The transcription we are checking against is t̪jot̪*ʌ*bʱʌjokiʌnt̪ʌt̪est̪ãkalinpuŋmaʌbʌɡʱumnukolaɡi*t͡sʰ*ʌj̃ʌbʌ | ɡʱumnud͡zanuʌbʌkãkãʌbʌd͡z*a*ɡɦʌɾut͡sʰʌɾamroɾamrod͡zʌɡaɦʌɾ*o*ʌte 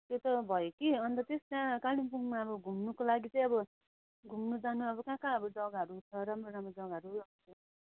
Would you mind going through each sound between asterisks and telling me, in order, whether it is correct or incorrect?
correct, incorrect: t͡s, incorrect: ʌ, incorrect: u

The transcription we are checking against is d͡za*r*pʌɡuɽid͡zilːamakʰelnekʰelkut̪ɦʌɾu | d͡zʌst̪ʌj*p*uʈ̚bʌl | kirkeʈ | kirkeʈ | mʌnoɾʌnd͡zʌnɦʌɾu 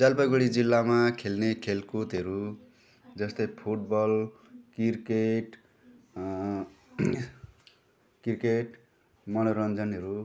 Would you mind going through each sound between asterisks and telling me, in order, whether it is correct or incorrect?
incorrect: l, incorrect: pʰ

